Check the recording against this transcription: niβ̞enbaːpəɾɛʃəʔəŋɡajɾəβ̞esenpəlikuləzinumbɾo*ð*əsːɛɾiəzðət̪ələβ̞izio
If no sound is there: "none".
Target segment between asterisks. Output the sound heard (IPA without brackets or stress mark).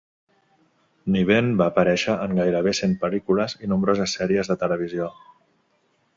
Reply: z